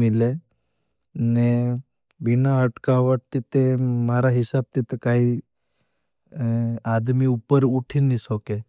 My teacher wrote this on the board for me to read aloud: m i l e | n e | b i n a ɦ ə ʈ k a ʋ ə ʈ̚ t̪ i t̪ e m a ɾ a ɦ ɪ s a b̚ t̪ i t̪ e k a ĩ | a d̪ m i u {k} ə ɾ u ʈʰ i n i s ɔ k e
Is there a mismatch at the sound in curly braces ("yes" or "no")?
yes